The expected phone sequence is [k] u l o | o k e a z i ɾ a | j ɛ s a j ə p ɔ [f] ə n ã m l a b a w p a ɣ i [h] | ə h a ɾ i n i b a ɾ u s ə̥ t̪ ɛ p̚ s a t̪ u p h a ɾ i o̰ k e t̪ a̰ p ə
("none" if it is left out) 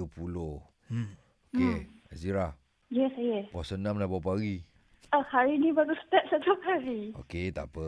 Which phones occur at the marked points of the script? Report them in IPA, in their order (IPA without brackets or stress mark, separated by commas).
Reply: p, s, none